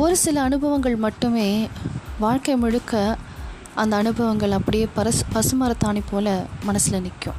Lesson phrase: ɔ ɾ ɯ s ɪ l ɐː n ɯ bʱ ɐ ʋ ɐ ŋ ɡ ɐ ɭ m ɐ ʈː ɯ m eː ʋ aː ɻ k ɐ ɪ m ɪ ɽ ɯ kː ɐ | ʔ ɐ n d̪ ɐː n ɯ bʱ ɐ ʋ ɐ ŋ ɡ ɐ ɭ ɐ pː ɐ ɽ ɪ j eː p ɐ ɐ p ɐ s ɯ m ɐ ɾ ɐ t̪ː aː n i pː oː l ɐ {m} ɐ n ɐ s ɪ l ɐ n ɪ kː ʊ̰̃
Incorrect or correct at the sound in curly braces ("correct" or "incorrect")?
correct